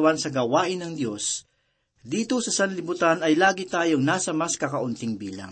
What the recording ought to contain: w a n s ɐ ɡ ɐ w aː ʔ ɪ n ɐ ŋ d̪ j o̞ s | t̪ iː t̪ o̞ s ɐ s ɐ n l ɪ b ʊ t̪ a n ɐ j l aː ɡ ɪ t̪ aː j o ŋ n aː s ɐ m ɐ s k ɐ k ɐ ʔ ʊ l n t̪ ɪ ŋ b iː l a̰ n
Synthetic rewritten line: w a n s ɐ ɡ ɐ w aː ʔ ɪ n ɐ ŋ d̪ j o̞ s | d̪ iː t̪ o̞ s ɐ s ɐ n l ɪ b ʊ t̪ a n ɐ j l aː ɡ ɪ t̪ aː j o ŋ n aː s ɐ m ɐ s k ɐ k ɐ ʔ ʊ n t̪ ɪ ŋ b iː l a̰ ŋ